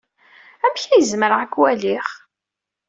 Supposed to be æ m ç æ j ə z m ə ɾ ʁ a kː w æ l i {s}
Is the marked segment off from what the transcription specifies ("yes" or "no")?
yes